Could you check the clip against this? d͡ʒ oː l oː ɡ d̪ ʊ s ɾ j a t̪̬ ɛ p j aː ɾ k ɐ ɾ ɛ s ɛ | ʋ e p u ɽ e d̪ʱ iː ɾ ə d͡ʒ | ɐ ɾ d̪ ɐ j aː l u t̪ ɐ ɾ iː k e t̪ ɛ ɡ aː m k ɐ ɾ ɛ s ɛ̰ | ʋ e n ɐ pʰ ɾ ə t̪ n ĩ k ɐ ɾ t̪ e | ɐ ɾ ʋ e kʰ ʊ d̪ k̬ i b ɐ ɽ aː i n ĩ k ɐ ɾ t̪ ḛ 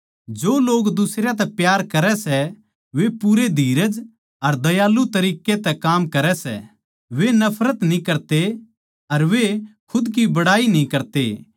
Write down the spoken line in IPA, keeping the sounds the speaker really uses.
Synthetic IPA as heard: d͡ʒ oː l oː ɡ d̪ ʊ s ɾ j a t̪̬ ɛ p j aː ɾ k ɐ ɾ ɛ s ɛ | ʋ e p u ɾ e d̪ʱ iː ɾ ə d͡ʒ | ɐ ɾ d̪ ɐ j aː l u t̪ ɐ ɾ iː k e t̪ ɛ k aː m k ɐ ɾ ɛ s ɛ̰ | ʋ e n ɐ pʰ ɾ ə t̪ n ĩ k ɐ ɾ t̪ e | ɐ ɾ ʋ e kʰ ʊ d̪ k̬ i b ɐ ɽ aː i n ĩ k ɐ ɾ t̪ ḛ